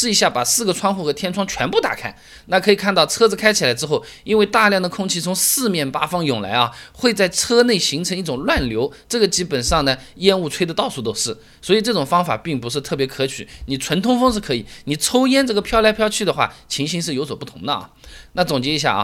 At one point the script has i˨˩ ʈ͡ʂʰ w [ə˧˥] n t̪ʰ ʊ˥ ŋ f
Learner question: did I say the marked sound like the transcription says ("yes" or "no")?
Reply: yes